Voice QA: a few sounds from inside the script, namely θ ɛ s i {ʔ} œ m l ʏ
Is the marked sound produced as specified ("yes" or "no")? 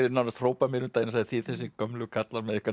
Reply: no